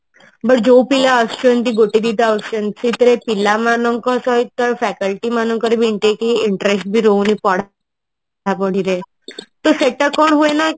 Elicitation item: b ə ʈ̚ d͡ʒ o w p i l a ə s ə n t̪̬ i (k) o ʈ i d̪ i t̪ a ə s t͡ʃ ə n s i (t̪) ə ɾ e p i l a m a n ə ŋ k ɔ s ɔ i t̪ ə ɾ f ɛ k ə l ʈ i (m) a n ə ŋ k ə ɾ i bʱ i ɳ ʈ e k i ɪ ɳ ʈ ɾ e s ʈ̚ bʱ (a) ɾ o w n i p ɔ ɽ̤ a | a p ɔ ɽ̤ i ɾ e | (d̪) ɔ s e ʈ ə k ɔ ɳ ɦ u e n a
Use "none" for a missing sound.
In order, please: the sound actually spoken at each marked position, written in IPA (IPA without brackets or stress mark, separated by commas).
ɡ, t̪, m, i, t̪